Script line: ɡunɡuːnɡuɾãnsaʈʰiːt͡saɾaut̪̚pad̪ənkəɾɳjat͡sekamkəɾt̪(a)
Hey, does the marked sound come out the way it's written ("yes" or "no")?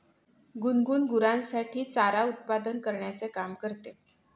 no